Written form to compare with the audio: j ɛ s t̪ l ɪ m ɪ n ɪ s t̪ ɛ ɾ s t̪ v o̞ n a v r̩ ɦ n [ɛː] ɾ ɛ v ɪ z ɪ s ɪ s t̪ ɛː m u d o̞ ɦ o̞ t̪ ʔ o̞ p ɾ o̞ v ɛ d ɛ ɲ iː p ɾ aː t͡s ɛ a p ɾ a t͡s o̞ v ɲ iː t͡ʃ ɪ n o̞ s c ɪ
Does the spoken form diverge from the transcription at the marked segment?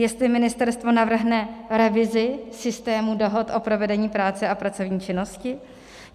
yes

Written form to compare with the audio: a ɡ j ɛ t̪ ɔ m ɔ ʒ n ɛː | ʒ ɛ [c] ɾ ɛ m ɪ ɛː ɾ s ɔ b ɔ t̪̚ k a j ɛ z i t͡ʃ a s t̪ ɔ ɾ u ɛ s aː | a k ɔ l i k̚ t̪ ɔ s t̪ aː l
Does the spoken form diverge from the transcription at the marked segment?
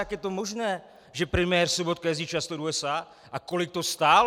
yes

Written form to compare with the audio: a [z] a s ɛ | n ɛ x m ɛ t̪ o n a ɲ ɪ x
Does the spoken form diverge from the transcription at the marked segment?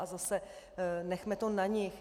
no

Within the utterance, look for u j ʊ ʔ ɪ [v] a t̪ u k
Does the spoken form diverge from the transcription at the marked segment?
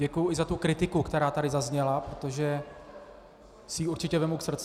yes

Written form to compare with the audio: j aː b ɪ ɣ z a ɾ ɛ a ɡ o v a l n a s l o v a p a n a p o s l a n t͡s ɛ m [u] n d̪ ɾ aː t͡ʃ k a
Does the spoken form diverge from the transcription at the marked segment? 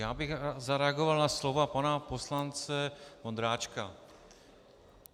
yes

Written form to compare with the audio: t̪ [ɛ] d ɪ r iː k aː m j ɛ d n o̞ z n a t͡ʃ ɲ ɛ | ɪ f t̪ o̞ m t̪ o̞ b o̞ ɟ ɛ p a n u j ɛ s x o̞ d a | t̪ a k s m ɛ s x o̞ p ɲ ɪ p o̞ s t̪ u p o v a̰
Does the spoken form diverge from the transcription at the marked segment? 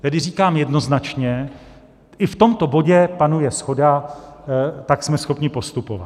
no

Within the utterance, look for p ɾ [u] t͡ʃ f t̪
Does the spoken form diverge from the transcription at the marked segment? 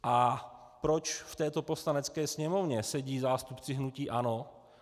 yes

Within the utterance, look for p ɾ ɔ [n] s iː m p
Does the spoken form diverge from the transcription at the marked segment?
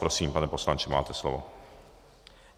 yes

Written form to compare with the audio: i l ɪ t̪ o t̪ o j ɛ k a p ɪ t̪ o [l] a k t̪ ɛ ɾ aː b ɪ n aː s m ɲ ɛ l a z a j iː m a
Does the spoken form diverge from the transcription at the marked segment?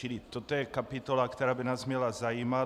no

